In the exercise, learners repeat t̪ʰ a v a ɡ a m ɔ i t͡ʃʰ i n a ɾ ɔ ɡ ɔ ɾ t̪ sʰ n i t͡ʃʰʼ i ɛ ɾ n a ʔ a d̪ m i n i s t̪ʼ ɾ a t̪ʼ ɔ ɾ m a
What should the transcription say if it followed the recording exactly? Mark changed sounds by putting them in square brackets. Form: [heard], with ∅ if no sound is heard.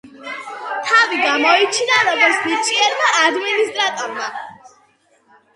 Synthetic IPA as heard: t̪ʰ a v [i] ɡ a m ɔ i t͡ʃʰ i n a ɾ ɔ ɡ ɔ ɾ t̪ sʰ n i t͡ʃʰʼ i ɛ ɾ [m] a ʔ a d̪ m i n i s t̪ʼ ɾ a t̪ʼ ɔ ɾ m a

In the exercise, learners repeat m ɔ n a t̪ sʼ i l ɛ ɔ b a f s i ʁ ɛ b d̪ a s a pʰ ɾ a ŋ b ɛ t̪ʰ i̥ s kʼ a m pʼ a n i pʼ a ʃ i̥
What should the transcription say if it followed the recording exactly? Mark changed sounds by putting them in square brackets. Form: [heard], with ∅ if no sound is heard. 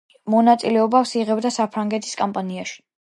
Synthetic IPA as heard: m ɔ n a t̪ sʼ i l ɛ ɔ b a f s i ʁ ɛ b d̪ a s a pʰ ɾ a ŋ [ɡ] ɛ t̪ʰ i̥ s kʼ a m pʼ a n i [∅] a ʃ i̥

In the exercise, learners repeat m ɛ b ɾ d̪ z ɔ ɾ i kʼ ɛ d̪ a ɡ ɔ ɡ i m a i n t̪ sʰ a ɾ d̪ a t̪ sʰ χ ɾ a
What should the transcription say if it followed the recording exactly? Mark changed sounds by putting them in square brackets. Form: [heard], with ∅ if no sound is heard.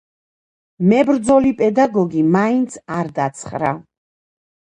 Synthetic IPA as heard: m ɛ b ɾ d̪ z ɔ [l] i [pʼ] ɛ d̪ a ɡ ɔ ɡ i m a i n t̪ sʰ a ɾ d̪ a t̪ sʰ χ ɾ a

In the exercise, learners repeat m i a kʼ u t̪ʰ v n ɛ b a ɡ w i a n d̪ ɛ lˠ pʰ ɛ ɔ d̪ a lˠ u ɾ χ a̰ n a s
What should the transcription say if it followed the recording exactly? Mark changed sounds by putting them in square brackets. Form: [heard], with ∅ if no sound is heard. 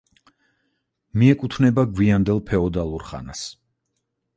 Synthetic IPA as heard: m i [ɛ] kʼ u t̪ʰ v n ɛ b a ɡ w i a n d̪ ɛ lˠ pʰ ɛ ɔ d̪ a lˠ u ɾ χ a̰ n a s

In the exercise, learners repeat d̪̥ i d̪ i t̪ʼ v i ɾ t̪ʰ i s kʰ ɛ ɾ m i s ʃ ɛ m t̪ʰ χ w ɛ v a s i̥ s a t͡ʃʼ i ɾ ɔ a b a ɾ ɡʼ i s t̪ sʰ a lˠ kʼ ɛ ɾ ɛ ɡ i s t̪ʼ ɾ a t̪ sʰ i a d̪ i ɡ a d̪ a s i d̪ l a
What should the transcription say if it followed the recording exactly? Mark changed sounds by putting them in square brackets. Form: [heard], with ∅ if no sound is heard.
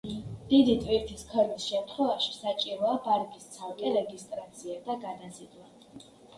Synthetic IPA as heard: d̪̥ i d̪ i t̪ʼ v i ɾ t̪ʰ i s kʰ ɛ ɾ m i s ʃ ɛ m t̪ʰ χ w ɛ v a [ʃ] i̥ s a t͡ʃʼ i ɾ ɔ a b a ɾ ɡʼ i s t̪ sʰ a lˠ kʼ ɛ ɾ ɛ ɡ i s t̪ʼ ɾ a t̪ sʰ i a d̪ [a] ɡ a d̪ a s i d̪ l a

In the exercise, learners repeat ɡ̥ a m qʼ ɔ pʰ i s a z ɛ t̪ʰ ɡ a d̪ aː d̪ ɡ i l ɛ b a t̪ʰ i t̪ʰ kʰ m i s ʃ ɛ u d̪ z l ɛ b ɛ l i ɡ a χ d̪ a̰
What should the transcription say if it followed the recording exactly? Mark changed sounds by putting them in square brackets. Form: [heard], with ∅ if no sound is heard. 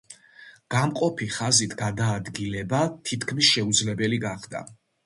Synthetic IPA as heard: ɡ̥ a m qʼ ɔ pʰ i [χ] a z [i] t̪ʰ ɡ a d̪ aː d̪ ɡ i l ɛ b a t̪ʰ i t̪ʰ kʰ m i s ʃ ɛ u d̪ z l ɛ b ɛ l i ɡ a χ d̪ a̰

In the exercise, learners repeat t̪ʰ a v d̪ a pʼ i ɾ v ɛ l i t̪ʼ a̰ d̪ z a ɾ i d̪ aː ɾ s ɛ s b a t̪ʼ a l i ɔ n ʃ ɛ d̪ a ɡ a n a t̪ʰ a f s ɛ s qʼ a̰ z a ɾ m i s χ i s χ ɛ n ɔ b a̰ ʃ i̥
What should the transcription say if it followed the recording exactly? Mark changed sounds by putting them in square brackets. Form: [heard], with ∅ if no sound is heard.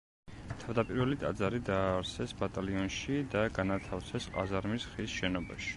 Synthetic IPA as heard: t̪ʰ a v d̪ a pʼ i ɾ v ɛ l i t̪ʼ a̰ d̪ z a ɾ i d̪ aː ɾ s ɛ s b a t̪ʼ a l i ɔ n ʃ [i] d̪ a ɡ a n a t̪ʰ a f s ɛ s qʼ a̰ z a ɾ m i s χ i s [ʃ] ɛ n ɔ b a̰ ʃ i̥

